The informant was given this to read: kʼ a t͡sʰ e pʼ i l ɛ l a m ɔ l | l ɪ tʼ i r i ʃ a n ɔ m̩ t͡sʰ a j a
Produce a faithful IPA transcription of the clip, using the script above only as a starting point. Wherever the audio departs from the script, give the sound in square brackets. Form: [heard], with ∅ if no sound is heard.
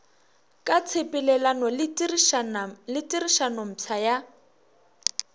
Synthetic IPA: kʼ a t͡sʰ e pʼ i l ɛ l a [n] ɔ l | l ɪ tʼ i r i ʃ a n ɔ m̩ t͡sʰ a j a